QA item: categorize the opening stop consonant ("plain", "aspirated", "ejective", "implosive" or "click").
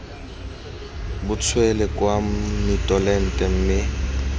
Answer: plain